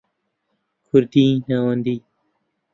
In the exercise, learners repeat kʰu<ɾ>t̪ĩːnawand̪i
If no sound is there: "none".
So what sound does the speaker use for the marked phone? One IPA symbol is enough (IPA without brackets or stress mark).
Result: ɾ